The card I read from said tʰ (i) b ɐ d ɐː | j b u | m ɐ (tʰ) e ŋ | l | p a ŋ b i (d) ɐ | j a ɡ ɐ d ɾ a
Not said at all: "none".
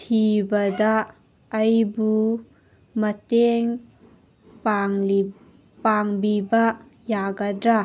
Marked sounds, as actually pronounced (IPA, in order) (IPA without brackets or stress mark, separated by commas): i, t, b